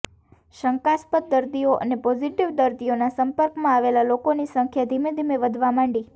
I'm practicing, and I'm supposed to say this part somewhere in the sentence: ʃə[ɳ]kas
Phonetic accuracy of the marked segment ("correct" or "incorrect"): incorrect